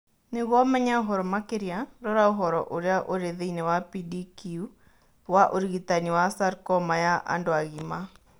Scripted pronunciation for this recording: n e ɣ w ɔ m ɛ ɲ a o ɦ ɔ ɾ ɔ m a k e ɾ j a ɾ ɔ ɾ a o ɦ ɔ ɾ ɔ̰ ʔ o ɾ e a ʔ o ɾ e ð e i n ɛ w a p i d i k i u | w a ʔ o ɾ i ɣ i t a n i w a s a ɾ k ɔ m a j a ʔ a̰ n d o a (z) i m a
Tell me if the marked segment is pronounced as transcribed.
no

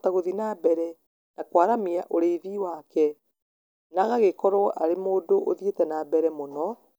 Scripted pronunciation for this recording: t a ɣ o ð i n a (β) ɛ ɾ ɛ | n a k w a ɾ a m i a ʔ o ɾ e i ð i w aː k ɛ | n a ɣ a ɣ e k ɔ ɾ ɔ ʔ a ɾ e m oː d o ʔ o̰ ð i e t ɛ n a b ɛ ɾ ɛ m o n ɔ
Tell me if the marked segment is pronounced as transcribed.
no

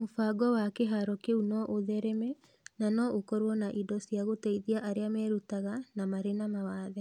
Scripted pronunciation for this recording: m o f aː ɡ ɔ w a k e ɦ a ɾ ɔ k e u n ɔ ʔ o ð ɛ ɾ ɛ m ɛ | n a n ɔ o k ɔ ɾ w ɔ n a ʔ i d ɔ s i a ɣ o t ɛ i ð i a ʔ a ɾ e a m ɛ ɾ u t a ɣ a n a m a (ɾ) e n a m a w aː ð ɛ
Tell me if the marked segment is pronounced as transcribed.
yes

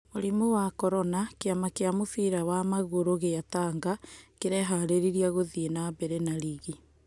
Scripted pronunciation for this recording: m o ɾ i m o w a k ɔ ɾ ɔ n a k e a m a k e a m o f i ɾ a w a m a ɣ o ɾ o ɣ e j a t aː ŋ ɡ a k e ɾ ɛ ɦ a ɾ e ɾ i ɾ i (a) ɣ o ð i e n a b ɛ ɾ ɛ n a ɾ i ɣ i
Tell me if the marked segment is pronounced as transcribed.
yes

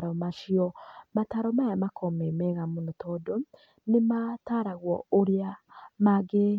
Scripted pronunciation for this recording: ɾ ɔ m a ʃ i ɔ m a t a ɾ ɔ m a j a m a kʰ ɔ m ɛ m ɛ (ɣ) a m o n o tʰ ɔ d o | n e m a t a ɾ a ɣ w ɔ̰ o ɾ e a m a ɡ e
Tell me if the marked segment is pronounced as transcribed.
yes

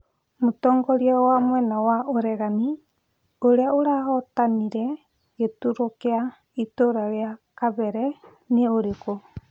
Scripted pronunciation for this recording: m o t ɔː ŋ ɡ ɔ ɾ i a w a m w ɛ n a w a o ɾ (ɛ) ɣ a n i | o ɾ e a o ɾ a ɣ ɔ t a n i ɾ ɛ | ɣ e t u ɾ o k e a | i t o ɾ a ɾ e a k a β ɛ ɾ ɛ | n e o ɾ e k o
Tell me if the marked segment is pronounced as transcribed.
yes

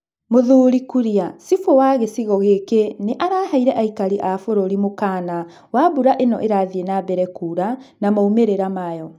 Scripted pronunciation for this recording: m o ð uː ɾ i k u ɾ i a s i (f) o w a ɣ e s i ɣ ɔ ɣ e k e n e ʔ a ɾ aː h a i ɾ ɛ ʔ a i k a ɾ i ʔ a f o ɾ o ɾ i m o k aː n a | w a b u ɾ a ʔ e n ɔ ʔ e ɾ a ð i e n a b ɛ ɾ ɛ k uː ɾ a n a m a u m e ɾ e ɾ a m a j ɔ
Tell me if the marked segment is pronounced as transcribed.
yes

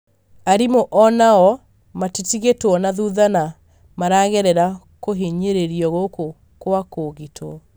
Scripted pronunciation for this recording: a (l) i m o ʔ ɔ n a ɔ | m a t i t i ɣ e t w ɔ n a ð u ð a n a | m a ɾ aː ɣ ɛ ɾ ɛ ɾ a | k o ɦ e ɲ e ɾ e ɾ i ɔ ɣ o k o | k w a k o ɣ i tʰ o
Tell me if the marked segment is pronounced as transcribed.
no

